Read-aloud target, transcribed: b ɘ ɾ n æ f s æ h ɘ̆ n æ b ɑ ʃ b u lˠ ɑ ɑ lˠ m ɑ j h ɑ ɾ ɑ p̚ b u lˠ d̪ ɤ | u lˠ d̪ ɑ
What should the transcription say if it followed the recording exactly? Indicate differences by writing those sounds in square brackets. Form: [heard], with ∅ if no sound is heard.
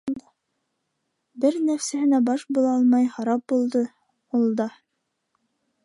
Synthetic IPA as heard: b ɘ ɾ n æ f s æ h ɘ̆ n æ b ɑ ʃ b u lˠ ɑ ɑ lˠ m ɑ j h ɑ ɾ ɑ p̚ b u lˠ d̪ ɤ | u lˠ d̪ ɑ